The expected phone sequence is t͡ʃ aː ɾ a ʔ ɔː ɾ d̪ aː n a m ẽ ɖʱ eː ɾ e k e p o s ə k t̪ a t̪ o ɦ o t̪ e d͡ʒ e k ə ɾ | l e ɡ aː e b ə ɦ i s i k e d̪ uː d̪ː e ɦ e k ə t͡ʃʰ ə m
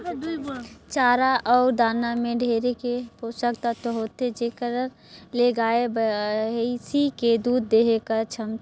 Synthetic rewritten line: t͡ʃ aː ɾ a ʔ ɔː ɾ d̪ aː n a m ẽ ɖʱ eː ɾ e k e p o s ə k t̪ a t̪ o ɦ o t̪ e d͡ʒ e k ə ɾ | l e ɡ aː e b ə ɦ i s i k e d̪ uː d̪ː e ɦ e k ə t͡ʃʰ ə m

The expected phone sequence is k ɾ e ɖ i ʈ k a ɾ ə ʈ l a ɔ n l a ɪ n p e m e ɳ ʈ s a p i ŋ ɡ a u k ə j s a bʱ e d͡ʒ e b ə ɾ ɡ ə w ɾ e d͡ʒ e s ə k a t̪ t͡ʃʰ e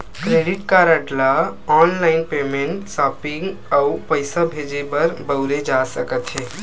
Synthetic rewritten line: k ɾ e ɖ i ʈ k a ɾ ə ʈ l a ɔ n l a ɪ n p e m e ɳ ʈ s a p i ŋ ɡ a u p ə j s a bʱ e d͡ʒ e b ə ɾ b ə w ɾ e d͡ʒ a s ə k ə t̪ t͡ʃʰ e

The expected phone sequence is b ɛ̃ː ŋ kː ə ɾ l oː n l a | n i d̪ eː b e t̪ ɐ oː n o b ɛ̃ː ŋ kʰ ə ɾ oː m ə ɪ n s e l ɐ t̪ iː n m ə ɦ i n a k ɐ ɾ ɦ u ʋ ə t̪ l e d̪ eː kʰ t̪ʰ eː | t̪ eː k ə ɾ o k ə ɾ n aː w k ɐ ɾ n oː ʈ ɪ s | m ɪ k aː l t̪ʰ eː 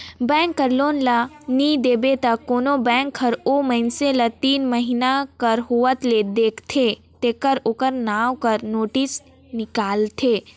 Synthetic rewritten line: b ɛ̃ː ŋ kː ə ɾ l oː n l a | n i d̪ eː b e t̪ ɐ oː n o b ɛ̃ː ŋ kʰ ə ɾ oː m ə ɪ n s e l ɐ t̪ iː n m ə ɦ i n a k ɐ ɾ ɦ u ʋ ə t̪ l e d̪ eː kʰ t̪ʰ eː | t̪ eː k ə ɾ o k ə ɾ n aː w k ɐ ɾ n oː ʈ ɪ s | n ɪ k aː l t̪ʰ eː

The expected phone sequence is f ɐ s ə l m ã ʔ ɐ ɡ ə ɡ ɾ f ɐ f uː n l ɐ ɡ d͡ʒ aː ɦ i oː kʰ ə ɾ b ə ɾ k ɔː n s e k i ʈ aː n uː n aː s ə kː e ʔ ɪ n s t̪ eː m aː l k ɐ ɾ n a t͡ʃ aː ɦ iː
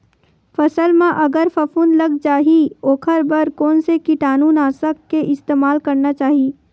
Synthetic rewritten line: f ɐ s ə l m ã ʔ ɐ ɡ ə ɾ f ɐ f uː n l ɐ ɡ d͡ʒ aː ɦ i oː kʰ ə ɾ b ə ɾ k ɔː n s e k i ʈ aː n uː n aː s ə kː e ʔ ɪ s t̪ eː m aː l k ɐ ɾ n a t͡ʃ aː ɦ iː

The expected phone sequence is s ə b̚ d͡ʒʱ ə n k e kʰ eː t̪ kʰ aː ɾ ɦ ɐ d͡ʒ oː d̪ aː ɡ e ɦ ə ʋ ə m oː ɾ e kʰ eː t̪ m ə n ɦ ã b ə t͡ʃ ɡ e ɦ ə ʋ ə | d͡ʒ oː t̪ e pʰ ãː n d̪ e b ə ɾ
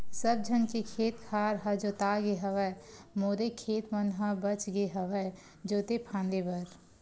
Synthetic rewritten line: s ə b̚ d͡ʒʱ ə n k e kʰ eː t̪ kʰ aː ɾ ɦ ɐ d͡ʒ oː t̪ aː ɡ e ɦ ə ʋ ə m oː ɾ e kʰ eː t̪ m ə n ɦ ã b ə t͡ʃ ɡ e ɦ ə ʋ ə | d͡ʒ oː t̪ e pʰ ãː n d̪ e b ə ɾ

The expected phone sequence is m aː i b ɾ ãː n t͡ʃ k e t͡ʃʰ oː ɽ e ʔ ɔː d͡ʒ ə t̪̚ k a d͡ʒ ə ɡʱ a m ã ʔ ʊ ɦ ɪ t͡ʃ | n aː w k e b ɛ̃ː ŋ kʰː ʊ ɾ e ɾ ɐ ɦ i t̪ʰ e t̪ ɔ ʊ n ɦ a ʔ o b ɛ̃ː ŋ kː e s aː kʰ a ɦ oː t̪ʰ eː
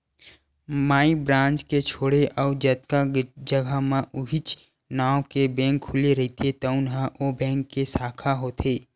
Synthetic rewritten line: m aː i b ɾ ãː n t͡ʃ k e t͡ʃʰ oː ɽ e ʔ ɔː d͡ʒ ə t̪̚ k a d͡ʒ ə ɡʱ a m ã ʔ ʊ ɦ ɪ t͡ʃ | n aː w k e b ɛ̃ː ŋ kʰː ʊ l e ɾ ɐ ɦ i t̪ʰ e t̪ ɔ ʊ n ɦ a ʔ o b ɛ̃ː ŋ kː e s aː kʰ a ɦ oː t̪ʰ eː

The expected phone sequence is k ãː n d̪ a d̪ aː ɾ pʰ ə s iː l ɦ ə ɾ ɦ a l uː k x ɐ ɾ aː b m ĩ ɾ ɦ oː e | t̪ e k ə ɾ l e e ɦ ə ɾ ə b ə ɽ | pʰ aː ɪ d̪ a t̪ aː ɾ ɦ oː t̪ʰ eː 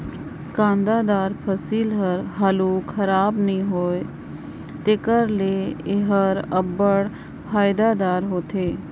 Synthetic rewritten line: k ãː n d̪ a d̪ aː ɾ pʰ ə s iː l ɦ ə ɾ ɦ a l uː k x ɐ ɾ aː b n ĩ ɦ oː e | t̪ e k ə ɾ l e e ɦ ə ɾ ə b ə ɽ | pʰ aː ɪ d̪ a d̪ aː ɾ ɦ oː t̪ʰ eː

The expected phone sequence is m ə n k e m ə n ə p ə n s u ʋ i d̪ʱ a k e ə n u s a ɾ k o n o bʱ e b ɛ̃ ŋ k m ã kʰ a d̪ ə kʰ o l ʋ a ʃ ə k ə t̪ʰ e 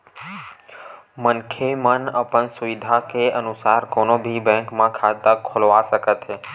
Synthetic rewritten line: m ə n kʰ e m ə n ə p ə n s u ʋ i d̪ʱ a k e ə n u s a ɾ k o n o bʱ i b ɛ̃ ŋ k m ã kʰ a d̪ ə kʰ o l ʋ a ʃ ə k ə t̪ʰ e

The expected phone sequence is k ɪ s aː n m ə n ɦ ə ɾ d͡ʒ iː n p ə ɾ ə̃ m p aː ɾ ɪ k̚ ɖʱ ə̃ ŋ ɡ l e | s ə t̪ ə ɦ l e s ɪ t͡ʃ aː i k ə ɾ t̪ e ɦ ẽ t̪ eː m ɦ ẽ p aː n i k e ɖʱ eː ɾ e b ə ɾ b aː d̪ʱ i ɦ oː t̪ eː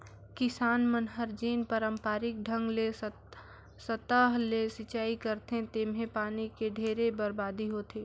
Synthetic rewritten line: k ɪ s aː n m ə n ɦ ə ɾ d͡ʒ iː n p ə ɾ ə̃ m p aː ɾ ɪ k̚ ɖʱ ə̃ ŋ ɡ l e | s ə t̪ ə ɦ l e s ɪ t͡ʃ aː i k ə ɾ t̪ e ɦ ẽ t̪ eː m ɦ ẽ p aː n i k e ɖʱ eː ɾ e b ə ɾ b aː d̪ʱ i ɦ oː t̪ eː

